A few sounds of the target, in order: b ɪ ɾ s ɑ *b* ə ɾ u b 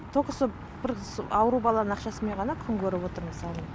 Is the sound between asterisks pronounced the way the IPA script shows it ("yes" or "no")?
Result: no